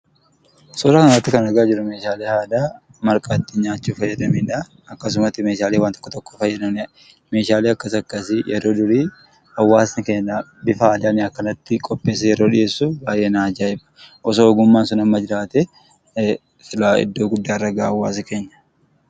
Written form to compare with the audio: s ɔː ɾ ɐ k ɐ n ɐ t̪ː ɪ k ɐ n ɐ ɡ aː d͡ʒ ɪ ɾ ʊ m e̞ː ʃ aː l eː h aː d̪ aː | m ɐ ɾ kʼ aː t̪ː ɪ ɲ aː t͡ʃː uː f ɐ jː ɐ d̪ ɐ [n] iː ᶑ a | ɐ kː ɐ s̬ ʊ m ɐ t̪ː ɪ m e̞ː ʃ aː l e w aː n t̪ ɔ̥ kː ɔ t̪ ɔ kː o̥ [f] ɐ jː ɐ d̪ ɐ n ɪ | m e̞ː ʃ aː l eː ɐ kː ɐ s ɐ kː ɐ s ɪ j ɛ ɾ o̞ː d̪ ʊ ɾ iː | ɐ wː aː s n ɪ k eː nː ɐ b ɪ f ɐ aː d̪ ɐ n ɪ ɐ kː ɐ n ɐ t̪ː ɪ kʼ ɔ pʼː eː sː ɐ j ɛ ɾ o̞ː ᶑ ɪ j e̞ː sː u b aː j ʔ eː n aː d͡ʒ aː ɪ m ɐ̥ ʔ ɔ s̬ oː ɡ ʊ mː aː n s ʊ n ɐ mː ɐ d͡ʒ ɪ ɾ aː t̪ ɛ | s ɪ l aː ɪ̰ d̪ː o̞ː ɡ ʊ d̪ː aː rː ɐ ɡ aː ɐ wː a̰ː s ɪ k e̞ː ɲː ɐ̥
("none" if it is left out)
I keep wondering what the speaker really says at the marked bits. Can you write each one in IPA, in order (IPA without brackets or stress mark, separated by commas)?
m, f